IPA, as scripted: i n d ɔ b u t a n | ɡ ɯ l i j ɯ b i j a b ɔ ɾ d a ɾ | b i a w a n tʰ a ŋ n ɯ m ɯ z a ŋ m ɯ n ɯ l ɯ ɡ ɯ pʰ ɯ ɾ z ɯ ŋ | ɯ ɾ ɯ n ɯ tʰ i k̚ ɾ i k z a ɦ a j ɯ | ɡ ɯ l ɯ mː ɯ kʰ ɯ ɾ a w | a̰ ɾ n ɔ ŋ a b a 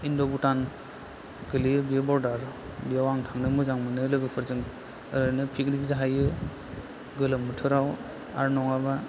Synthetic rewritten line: i n d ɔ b u t a n | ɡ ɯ l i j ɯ b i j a b ɔ ɾ d a ɾ | b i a w a ŋ tʰ a ŋ n ɯ m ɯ z a ŋ m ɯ n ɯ l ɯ ɡ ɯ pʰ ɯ ɾ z ɯ ŋ | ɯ ɾ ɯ n ɯ pʰ i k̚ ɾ i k z a ɦ a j ɯ | ɡ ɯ l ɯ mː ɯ tʰ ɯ ɾ a w | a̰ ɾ n ɔ ŋ a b a